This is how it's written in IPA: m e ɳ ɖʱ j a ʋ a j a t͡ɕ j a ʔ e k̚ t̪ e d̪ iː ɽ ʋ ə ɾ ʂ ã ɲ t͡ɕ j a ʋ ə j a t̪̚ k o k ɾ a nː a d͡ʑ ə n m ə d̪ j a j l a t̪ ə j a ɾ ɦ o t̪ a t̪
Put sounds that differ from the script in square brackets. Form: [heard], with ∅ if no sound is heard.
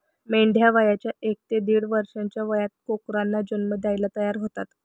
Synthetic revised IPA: m e ɳ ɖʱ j a ʋ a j a t͡ɕ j a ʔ e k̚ t̪ e d̪ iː ɽ ʋ ə ɾ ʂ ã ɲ t͡ɕ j a ʋ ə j a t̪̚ k o k ɾ a nː a d͡ʑ ə n m ə d̪ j a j l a t̪ ə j a ɾ ɦ o t̪ a t̪